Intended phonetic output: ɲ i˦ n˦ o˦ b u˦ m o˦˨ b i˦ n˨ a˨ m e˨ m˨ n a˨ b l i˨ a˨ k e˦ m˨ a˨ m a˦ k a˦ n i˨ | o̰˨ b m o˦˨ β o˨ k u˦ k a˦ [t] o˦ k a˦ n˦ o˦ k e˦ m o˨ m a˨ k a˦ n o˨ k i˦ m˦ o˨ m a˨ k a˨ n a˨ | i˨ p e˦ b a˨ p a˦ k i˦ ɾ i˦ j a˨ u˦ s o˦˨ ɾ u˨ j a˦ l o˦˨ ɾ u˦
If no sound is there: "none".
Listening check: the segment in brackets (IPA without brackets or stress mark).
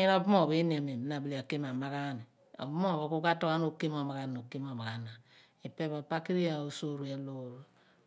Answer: t